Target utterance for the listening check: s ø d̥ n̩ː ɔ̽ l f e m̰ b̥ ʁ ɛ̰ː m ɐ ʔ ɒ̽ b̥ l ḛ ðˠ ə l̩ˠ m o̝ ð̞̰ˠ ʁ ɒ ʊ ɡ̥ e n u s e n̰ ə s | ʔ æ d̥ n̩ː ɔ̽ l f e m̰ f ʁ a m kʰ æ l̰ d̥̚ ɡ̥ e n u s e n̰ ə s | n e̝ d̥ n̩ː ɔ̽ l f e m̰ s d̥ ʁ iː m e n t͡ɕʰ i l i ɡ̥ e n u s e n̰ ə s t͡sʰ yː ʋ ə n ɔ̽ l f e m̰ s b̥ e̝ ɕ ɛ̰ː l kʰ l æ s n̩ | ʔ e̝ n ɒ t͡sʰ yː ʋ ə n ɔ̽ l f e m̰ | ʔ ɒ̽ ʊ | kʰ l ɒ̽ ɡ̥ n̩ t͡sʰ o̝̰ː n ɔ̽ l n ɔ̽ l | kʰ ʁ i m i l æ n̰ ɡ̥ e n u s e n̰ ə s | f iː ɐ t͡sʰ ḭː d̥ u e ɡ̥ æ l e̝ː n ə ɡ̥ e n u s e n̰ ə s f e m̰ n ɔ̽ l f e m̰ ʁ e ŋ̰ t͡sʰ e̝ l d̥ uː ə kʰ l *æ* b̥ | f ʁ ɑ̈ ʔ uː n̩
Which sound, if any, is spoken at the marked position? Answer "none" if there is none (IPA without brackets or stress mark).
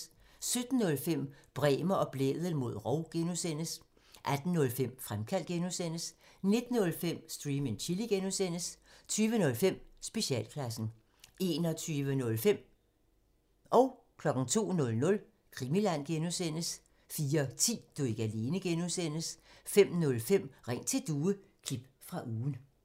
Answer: i